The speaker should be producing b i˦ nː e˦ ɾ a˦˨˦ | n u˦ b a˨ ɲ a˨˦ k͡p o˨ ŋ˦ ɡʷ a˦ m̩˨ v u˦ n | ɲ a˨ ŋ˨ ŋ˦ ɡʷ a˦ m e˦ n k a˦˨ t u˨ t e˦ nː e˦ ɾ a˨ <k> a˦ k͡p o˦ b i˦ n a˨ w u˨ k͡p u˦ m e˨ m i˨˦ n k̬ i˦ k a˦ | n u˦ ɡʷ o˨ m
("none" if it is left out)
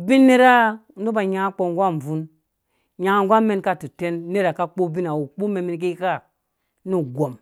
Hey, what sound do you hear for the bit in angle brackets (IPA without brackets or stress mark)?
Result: k